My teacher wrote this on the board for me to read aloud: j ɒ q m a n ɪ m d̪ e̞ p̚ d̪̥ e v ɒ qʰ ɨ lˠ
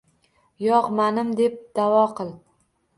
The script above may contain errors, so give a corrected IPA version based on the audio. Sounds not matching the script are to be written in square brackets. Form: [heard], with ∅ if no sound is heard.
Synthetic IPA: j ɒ q m a n ɪ m d̪ e̞ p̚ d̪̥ [a] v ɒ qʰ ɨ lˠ